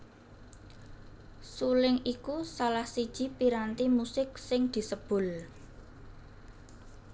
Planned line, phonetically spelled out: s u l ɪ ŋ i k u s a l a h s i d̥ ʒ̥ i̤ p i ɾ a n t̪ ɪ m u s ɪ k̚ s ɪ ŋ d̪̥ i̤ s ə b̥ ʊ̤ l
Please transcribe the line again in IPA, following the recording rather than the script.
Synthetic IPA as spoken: s u l ɪ ŋ i k u s a l a h s i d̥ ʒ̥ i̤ p i ɾ a n t̪ i m u s ɪ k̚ s ɪ ŋ d̪̥ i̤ s ə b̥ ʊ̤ l

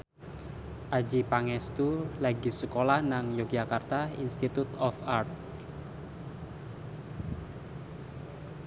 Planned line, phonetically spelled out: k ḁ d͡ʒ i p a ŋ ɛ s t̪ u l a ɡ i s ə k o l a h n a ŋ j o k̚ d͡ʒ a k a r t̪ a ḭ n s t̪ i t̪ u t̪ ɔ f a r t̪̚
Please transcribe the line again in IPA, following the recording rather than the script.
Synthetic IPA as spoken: ʔ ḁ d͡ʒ i p a ŋ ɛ s t̪ u l a ɡ i s ə k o l a h n a ŋ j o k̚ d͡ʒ a k a r t̪ a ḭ n s t̪ i t̪ u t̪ ɔ f a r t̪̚

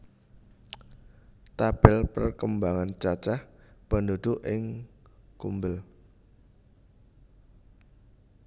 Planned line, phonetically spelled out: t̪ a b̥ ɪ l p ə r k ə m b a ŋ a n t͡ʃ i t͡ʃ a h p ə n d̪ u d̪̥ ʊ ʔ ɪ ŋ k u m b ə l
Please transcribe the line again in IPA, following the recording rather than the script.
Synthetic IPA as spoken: t̪ a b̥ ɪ l p ə r k ə m b a ŋ a n t͡ʃ a t͡ʃ a h p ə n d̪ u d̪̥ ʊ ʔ ɪ ŋ k u m b ə l

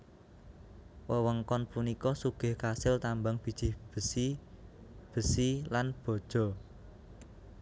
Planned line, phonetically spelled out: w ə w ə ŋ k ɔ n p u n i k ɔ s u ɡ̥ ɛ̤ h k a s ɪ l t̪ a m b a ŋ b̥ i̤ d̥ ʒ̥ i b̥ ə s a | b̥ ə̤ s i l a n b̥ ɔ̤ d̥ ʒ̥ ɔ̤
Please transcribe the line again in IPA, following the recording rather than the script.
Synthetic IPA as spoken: w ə w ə ŋ k ɔ n p u n i k ɔ s u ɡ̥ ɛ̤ h k a s ɪ l t̪ a m b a ŋ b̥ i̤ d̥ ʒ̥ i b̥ ə s i | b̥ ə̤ s i l a n b̥ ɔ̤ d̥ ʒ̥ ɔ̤

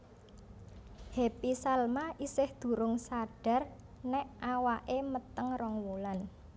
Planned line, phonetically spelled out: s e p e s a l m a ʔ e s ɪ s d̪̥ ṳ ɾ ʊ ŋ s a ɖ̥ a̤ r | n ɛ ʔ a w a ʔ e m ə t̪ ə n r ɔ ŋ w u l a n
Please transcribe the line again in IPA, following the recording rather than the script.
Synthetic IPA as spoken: h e p i s a l m a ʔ i s ɪ h d̪̥ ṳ ɾ ʊ ŋ s a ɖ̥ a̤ r | n ɛ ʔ a w a ʔ e m ə t̪ ə ŋ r ɔ ŋ w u l a n

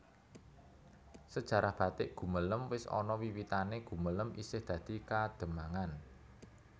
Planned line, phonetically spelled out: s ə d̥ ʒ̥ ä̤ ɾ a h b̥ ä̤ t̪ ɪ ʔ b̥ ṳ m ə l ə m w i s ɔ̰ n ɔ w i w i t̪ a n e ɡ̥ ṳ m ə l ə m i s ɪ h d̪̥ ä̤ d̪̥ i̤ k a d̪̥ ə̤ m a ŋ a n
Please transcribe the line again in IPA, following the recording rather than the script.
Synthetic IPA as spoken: s ə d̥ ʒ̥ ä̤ ɾ a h b̥ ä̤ t̪ ɪ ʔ ɡ̥ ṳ m ə l ə m w ɪ s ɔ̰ n ɔ w i w i t̪ a n e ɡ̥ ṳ m ə l ə m i s ɪ h d̪̥ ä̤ d̪̥ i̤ k a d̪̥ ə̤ m a ŋ a n

